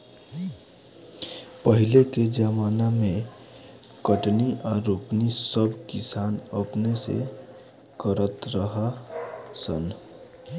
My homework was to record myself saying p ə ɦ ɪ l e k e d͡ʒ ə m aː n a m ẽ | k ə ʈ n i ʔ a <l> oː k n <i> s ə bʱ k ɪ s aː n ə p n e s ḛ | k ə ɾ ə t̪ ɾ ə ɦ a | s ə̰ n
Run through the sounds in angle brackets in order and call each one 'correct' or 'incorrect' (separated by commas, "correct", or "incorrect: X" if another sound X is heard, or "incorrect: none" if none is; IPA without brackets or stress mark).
incorrect: ɾ, correct